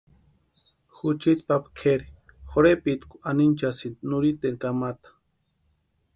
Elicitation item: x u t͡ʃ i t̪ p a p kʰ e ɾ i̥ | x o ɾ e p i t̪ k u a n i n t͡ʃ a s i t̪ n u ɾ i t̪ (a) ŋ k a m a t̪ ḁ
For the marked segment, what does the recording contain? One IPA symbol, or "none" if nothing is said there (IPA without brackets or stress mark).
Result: e